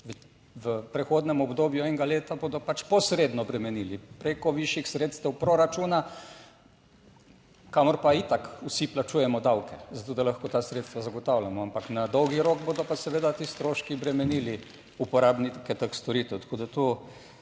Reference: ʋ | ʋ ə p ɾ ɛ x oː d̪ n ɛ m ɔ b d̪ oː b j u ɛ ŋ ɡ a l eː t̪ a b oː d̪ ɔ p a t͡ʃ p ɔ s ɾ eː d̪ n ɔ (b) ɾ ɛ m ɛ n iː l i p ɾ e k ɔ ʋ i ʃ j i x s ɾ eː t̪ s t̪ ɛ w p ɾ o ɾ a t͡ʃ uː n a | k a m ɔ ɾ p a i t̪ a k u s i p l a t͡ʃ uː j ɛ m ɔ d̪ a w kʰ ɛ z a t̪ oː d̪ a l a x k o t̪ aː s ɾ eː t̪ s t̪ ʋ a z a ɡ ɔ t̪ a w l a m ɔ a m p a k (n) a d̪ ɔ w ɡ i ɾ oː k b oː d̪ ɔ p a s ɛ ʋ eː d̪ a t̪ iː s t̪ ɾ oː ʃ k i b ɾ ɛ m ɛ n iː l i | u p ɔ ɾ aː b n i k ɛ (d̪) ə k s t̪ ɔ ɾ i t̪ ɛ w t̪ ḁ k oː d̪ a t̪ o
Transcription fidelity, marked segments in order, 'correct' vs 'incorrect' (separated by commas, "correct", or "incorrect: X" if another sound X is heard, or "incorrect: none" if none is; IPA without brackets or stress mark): correct, correct, incorrect: t̪